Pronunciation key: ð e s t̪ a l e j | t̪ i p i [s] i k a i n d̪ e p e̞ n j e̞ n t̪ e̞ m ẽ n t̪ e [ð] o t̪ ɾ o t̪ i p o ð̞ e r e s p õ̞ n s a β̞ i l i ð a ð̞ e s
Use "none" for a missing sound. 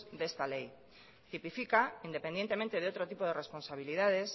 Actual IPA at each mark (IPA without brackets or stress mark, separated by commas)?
f, ð